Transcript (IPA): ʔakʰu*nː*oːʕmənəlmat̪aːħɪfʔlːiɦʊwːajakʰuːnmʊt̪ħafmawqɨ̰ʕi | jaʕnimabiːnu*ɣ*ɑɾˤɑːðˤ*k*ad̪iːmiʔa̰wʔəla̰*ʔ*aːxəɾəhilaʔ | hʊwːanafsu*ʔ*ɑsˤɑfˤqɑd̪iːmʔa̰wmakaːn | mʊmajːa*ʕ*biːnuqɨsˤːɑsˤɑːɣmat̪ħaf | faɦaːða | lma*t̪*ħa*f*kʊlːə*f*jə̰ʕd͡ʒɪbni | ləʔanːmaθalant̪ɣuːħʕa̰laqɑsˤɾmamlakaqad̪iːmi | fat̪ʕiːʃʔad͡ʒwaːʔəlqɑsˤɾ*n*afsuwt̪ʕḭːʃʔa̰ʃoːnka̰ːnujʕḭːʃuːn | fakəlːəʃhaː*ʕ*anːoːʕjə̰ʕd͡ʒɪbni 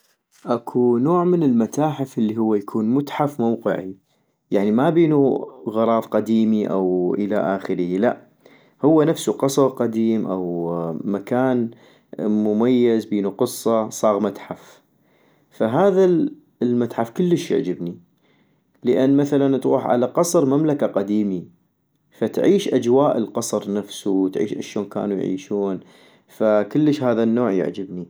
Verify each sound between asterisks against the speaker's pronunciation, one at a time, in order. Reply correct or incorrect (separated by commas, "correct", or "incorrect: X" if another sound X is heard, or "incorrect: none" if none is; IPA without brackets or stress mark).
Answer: incorrect: n, correct, incorrect: q, correct, incorrect: q, incorrect: z, correct, correct, incorrect: ʃ, correct, incorrect: ð